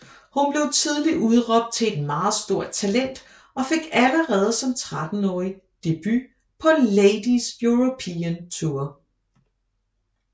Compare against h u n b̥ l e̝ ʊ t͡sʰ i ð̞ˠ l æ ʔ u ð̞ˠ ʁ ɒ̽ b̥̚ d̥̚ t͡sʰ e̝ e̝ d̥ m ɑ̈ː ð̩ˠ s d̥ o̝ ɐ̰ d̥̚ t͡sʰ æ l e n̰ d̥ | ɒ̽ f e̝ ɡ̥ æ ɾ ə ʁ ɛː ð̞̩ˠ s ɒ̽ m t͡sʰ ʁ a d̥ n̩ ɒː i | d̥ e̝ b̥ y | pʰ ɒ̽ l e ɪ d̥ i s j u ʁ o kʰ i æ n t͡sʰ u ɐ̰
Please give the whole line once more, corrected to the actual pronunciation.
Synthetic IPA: h u n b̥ l e̝ ʊ t͡sʰ i ð̞ˠ l i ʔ u ð̞ˠ ʁ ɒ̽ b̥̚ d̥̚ t͡sʰ e̝ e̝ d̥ m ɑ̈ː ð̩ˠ s d̥ o̝ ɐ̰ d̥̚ t͡sʰ æ l e n̰ d̥ | ɒ̽ f e̝ ɡ̥ æ l ə ʁ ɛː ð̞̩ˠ s ɒ̽ m t͡sʰ ʁ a d̥ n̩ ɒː i | d̥ e̝ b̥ y | pʰ ɒ̽ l e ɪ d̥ i s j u ʁ o pʰ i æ n t͡sʰ u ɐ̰

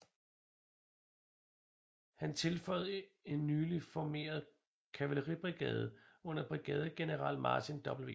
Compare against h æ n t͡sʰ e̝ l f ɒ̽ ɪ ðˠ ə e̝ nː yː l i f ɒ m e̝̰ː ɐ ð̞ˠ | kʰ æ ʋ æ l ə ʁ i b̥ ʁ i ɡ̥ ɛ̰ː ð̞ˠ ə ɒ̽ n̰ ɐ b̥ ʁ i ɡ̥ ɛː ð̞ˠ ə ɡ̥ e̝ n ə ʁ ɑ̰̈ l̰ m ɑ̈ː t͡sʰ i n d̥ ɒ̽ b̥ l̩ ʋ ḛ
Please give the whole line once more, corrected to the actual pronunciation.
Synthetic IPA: h æ n t͡sʰ e̝ l f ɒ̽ ɪ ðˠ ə e̝ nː yː l i f ɒ m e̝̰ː ɐ ð̞ˠ | kʰ æ ʋ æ l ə ʁ i b̥ ʁ i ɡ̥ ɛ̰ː ð̞ˠ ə ɔ̽ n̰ ɐ b̥ ʁ i ɡ̥ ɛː ð̞ˠ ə ɡ̥ e̝ n ə ʁ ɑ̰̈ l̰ m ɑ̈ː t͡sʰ i n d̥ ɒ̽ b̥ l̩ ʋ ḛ

